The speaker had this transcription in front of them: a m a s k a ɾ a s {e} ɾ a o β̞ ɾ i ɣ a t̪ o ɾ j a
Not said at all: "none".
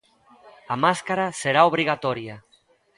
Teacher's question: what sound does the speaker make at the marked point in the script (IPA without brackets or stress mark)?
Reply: e